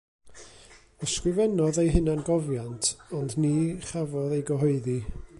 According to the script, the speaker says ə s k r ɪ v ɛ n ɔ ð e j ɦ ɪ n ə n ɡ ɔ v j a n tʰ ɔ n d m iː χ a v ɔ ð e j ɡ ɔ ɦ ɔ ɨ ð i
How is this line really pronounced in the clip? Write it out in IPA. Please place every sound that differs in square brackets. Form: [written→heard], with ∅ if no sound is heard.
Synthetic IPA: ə s k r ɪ v ɛ n ɔ ð e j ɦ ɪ n [ə→a] n ɡ ɔ v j a n tʰ ɔ n d [m→n] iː χ a v ɔ ð e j ɡ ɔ ɦ ɔ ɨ ð i